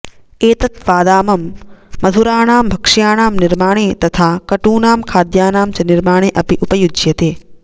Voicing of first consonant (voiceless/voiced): voiceless